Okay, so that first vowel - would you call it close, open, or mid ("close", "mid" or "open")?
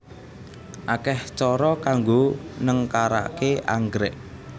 open